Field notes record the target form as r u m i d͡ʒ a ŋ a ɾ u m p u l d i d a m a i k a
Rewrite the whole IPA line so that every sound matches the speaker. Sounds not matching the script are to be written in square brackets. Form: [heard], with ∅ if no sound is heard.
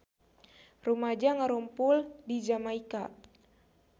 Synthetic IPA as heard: r u m [a] d͡ʒ a ŋ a ɾ u m p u l d i [d͡ʒ] a m a i k a